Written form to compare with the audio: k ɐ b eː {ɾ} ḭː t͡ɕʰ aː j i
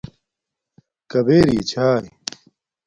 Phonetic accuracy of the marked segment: correct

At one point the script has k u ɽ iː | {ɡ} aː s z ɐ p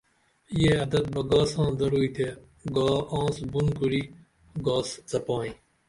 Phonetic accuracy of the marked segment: correct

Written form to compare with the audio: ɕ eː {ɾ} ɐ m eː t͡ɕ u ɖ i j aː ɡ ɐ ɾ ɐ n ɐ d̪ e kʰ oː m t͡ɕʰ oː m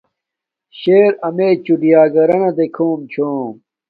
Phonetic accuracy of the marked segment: correct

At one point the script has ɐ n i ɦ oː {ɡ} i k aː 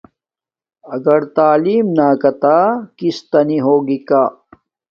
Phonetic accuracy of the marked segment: correct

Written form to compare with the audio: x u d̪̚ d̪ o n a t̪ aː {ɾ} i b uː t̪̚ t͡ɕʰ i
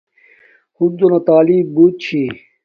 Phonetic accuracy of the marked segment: incorrect: l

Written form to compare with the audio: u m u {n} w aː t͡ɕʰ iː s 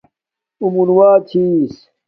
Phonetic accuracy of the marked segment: correct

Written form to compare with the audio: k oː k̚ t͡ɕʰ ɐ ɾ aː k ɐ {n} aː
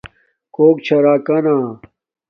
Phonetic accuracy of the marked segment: correct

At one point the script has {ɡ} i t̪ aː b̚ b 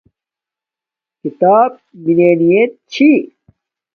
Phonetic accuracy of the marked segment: incorrect: k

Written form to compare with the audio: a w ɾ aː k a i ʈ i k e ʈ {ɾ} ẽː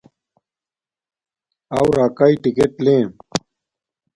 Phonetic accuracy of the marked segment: incorrect: l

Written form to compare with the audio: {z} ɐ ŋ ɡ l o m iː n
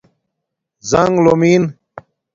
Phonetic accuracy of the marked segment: correct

